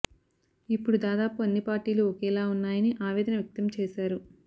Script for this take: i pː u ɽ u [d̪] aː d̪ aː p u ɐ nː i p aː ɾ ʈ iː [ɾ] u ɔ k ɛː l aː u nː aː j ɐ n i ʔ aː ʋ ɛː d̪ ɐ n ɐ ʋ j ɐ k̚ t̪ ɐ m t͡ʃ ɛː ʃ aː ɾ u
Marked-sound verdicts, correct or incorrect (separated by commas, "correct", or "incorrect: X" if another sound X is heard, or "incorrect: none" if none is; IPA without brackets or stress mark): correct, incorrect: l